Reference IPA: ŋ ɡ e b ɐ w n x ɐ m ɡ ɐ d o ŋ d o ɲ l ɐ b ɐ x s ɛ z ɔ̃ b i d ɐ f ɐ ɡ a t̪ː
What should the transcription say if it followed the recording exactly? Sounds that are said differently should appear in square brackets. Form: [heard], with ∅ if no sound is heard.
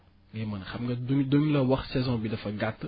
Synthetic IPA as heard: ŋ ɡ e [m] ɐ [∅] n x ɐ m ɡ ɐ d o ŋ d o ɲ l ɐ [w] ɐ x s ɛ z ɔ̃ b i d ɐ f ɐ ɡ a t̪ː